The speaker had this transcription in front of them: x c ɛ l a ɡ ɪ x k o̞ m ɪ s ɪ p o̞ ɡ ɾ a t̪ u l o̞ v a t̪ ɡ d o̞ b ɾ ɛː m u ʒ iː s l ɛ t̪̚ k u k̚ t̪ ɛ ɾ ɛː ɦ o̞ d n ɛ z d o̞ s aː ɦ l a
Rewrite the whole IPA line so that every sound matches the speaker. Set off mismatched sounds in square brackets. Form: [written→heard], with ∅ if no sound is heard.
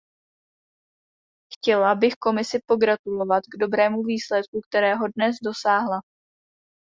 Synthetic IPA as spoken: x c ɛ l a [ɡ→b] ɪ x k o̞ m ɪ s ɪ p o̞ ɡ ɾ a t̪ u l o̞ v a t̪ ɡ d o̞ b ɾ ɛː m u [ʒ→v] iː s l ɛ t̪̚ k u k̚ t̪ ɛ ɾ ɛː ɦ o̞ d n ɛ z d o̞ s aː ɦ l a

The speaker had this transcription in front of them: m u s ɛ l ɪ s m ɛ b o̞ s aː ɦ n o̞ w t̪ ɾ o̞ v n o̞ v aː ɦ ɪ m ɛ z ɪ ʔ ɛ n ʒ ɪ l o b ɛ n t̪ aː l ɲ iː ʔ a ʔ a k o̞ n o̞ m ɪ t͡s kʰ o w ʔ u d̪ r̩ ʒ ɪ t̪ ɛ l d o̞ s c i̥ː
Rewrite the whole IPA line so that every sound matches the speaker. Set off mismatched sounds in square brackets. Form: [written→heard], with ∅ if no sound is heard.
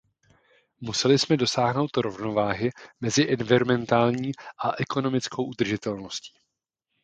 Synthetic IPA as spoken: m u s ɛ l ɪ s m ɛ [b→d] o̞ s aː ɦ n o̞ w t̪ ɾ o̞ v n o̞ v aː ɦ ɪ m ɛ z ɪ ʔ ɛ n [ʒ→v] ɪ [l→ɾ] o [b→m] ɛ n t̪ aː l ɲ iː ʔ a ʔ [a→ɛ] k o̞ n o̞ m ɪ t͡s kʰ o w ʔ u d̪ r̩ ʒ ɪ t̪ ɛ l [d→n] o̞ s c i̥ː

